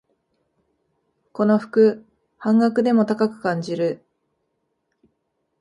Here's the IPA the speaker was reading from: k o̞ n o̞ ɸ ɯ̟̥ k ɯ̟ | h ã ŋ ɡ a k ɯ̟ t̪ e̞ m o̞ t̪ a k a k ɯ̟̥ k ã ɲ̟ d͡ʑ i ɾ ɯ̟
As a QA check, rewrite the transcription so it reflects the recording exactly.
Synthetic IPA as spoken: k o̞ n o̞ ɸ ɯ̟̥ k ɯ̟ | h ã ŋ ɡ a k ɯ̟ d̪ e̞ m o̞ t̪ a k a k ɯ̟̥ k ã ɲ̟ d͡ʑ i ɾ ɯ̟